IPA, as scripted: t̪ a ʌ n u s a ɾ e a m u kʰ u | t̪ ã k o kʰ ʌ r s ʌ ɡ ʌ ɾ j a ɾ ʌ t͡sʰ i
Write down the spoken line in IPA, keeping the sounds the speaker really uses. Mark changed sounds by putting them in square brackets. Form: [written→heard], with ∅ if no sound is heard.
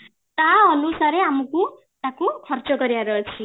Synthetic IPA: t̪ a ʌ n u s a ɾ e a m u [kʰ→k] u | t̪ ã k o kʰ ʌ r [s→t͡s] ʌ ɡ ʌ ɾ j a ɾ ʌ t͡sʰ i